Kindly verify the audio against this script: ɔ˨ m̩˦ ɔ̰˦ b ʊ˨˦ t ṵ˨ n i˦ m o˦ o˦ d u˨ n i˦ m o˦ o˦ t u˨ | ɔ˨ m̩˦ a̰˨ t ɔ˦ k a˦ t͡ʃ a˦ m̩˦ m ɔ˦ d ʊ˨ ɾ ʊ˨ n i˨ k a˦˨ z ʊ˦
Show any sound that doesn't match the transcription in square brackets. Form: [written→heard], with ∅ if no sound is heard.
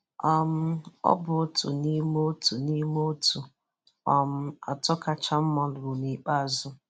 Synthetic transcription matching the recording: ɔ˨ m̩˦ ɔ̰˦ b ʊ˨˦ t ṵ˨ n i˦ m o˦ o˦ [d→t] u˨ n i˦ m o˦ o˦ t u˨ | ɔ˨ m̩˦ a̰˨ t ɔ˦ k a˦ t͡ʃ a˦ m̩˦ m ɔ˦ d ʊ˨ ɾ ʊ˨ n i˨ [k→k͡p] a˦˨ z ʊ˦